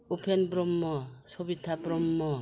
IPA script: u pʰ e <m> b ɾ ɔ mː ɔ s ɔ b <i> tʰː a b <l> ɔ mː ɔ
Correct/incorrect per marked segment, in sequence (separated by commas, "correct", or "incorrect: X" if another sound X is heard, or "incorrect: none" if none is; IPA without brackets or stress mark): incorrect: n, correct, incorrect: ɾ